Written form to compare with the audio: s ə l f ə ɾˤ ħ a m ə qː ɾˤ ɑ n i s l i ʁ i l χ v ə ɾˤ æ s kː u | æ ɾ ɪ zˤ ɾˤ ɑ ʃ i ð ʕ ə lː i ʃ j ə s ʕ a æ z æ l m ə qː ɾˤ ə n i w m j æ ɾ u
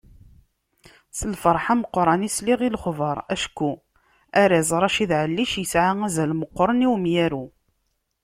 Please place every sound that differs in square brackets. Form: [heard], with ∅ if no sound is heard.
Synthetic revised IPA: s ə l f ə ɾˤ ħ a m ə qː ɾˤ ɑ n i s l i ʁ i l χ v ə ɾˤ æ [ʃ] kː u | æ ɾ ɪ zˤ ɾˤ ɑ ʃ i ð ʕ ə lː i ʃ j ə s ʕ a æ z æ l m ə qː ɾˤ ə n i w m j æ ɾ u